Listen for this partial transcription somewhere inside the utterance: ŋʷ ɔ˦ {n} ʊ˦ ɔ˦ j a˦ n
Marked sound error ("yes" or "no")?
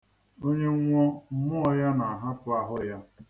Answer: yes